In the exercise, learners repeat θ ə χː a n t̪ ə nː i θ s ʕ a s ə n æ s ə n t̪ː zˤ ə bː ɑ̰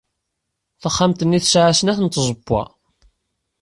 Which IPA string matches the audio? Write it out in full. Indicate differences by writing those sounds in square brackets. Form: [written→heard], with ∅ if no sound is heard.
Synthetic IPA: θ ə χː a [n→m] t̪ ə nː i θ s ʕ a s ə n æ [s→θ] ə n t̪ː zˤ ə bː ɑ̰